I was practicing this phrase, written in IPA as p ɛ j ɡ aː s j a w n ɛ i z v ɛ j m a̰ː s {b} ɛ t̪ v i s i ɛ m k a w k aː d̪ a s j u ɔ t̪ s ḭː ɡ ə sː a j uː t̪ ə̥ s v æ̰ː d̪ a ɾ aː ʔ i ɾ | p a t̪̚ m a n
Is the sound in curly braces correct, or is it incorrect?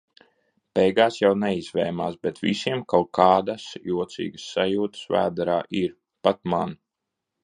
correct